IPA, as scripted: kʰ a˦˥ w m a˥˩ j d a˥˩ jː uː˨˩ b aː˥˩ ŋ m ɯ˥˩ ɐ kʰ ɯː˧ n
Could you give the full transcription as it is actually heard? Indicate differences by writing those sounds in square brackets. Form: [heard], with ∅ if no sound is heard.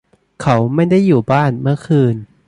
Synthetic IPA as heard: kʰ a˦˥ w m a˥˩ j d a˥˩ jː uː˨˩ b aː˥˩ [n] m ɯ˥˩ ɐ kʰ ɯː˧ n